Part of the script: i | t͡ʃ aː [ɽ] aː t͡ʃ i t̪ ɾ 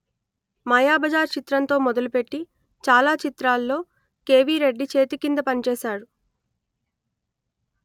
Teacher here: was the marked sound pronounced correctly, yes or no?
no